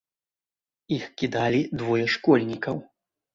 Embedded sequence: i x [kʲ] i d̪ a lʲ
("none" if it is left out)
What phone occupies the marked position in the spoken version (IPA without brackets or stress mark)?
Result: kʲ